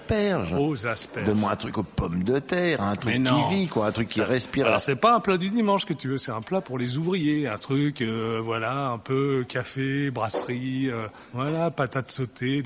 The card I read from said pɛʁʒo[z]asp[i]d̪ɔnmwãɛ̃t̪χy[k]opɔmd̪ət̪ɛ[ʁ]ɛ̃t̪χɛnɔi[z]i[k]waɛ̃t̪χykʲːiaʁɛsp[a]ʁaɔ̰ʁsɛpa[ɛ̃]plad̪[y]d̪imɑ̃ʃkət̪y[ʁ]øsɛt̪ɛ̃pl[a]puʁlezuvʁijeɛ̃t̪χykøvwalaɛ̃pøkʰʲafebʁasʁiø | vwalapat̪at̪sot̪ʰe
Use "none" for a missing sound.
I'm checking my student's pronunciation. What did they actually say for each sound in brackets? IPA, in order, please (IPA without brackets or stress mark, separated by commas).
z, ɛ, k, ʁ, v, k, i, ɛ̃, y, v, a